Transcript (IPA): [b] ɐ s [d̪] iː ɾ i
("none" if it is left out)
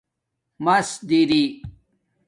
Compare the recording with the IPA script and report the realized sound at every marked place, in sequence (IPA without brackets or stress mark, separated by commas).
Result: m, d̪